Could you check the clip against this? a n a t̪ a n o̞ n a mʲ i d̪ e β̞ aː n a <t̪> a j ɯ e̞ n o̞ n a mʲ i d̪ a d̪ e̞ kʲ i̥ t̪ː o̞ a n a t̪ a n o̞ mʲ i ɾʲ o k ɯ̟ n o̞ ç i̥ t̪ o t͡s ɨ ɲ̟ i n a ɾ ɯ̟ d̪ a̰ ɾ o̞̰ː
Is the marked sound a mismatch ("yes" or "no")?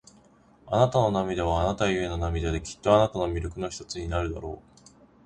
no